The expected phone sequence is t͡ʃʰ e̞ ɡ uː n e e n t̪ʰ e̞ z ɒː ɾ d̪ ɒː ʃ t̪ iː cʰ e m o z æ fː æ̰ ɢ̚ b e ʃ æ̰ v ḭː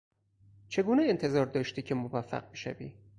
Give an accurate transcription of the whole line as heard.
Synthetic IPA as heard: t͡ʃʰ e̞ ɡ uː n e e n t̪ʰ e̞ z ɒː ɾ d̪ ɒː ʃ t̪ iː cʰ e m o v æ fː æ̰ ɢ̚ b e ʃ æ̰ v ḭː